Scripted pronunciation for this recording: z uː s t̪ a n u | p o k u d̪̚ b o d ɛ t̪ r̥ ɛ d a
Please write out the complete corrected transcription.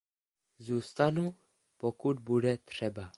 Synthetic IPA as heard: z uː s t̪ a n u | p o k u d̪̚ b u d ɛ t̪ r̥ ɛ b a